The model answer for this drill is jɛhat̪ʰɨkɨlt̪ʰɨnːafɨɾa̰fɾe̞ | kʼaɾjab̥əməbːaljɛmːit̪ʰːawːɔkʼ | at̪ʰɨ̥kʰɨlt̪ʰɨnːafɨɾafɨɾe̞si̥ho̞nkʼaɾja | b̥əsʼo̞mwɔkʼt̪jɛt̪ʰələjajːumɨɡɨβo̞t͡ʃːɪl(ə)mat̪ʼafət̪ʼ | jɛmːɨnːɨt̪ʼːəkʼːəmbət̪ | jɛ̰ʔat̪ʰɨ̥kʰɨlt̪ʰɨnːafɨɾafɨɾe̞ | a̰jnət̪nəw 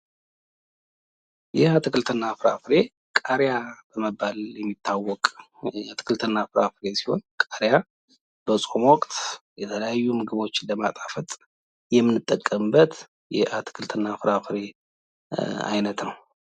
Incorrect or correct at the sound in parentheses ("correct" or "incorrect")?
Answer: correct